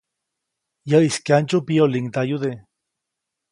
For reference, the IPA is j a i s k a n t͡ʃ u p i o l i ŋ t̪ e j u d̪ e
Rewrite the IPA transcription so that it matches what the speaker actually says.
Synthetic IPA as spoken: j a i s k a n t͡ʃ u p i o l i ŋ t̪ a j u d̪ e